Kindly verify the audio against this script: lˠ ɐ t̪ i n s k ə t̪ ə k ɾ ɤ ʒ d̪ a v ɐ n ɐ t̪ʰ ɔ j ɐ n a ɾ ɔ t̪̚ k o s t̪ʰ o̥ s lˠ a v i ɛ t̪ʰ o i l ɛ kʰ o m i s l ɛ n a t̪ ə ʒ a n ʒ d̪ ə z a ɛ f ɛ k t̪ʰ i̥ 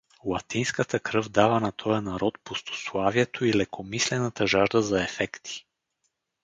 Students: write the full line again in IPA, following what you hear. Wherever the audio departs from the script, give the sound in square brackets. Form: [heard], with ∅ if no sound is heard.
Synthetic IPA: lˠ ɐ t̪ i n s k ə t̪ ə k ɾ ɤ [v] d̪ a v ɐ n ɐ t̪ʰ ɔ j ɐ n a ɾ ɔ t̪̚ [p] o s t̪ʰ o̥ s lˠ a v i ɛ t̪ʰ o i l ɛ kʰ o m i s l ɛ n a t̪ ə ʒ a [∅] ʒ d̪ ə z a ɛ f ɛ k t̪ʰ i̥